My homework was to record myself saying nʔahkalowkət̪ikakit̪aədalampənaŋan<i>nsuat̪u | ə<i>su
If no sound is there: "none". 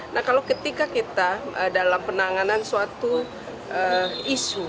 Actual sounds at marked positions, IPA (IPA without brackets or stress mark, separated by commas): a, i